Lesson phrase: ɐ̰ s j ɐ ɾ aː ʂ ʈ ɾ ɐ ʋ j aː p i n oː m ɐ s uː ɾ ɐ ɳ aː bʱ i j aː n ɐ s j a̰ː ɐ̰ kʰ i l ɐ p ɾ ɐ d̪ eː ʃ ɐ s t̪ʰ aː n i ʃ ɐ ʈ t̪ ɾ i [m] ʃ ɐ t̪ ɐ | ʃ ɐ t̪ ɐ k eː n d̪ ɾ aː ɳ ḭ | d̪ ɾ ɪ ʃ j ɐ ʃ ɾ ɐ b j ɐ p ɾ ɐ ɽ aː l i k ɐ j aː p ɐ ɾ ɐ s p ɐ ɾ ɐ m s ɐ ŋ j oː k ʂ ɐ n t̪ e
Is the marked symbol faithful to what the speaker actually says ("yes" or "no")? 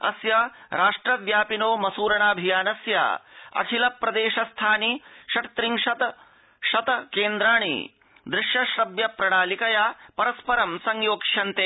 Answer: no